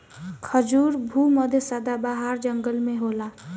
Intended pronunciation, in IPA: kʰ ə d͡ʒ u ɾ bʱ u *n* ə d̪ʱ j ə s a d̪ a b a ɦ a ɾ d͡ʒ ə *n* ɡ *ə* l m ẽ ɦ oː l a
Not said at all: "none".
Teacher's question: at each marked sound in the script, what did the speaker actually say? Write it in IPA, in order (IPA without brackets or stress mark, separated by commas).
m, ŋ, ə